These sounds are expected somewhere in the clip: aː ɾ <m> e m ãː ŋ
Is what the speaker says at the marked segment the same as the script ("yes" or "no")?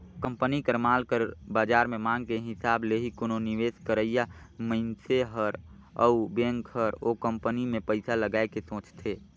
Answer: yes